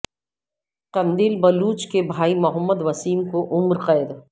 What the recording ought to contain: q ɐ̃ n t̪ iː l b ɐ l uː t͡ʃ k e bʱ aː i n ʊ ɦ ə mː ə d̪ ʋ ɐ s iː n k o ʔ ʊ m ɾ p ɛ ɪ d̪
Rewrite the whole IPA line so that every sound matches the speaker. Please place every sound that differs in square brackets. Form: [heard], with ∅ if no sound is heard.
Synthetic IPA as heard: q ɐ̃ n [d̪] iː l b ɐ l uː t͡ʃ k e bʱ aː i [m] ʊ ɦ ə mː ə d̪ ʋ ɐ s iː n k o ʔ ʊ m ɾ [q] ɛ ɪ d̪